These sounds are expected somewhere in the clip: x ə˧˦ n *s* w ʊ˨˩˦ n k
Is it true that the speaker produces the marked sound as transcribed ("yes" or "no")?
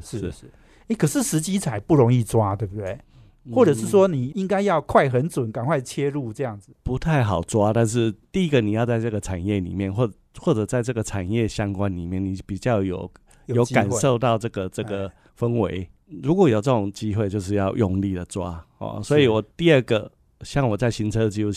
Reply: no